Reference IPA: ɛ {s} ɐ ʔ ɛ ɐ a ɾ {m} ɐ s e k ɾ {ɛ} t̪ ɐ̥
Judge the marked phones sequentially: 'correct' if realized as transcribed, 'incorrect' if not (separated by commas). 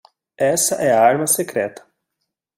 correct, correct, correct